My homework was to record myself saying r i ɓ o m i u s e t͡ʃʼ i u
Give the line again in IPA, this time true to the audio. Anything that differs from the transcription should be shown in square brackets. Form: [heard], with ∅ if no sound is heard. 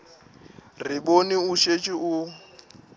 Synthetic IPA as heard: r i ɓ o [n] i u [ʃ] e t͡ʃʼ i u